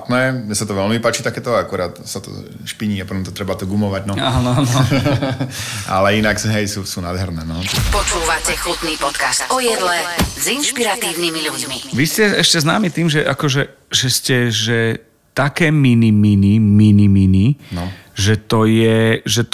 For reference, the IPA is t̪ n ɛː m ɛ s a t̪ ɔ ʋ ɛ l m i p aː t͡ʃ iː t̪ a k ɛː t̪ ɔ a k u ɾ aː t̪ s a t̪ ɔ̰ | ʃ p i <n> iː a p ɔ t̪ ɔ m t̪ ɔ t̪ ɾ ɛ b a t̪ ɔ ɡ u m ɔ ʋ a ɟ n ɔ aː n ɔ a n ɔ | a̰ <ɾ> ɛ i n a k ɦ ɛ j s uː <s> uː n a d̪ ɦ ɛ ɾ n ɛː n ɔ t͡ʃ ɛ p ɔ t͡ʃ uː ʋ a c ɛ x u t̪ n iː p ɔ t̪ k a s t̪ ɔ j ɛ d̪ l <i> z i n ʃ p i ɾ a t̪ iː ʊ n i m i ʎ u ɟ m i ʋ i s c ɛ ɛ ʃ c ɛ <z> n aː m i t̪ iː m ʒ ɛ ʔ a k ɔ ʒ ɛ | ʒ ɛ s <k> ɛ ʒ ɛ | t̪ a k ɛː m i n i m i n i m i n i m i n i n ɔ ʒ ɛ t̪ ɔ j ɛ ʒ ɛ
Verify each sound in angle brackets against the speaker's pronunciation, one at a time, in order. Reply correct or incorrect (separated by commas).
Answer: incorrect, incorrect, correct, incorrect, correct, incorrect